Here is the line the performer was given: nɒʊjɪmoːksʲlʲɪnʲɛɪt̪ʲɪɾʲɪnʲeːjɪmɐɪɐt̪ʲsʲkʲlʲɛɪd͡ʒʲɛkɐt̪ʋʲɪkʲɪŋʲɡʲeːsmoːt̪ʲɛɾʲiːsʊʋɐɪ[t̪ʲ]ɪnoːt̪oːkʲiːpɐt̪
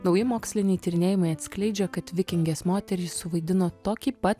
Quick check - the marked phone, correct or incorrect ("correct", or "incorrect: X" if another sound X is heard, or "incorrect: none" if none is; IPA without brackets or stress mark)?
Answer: incorrect: d̪ʲ